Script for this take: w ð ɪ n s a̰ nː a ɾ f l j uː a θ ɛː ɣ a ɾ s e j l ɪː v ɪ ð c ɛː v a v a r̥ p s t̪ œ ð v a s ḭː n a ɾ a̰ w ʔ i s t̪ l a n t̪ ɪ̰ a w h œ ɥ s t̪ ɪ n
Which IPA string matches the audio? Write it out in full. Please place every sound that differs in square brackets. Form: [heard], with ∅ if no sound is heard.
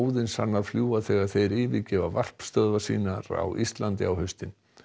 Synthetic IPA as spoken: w ð ɪ n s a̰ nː a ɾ f l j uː a θ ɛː ɣ a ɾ [θ] e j [ɾ] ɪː v ɪ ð c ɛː v a v a r̥ p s t̪ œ ð v a s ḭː n a ɾ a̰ w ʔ i s t̪ l a n t̪ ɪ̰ a w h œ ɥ s t̪ ɪ n